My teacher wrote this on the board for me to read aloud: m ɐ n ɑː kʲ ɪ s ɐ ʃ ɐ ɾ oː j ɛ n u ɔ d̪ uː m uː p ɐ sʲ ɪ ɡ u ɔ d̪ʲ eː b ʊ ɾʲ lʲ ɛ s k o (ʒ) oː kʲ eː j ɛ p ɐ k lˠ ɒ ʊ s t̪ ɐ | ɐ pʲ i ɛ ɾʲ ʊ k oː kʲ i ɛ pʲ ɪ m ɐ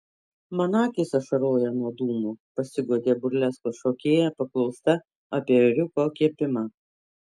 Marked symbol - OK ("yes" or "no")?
no